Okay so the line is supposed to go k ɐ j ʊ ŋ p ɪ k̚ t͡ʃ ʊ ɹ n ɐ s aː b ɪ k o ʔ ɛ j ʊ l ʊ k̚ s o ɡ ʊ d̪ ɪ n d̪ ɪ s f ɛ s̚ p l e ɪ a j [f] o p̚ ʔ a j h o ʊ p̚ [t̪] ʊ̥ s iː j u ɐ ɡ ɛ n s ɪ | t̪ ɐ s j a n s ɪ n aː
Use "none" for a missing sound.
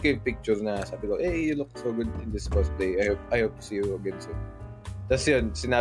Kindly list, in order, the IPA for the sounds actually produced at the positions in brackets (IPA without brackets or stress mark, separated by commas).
h, t̪